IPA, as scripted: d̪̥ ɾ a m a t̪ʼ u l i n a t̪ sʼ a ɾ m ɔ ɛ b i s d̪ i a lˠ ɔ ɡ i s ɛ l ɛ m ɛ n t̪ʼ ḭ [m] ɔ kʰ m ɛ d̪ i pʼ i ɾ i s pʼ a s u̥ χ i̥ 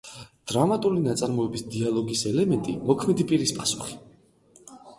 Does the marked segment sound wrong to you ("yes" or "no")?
no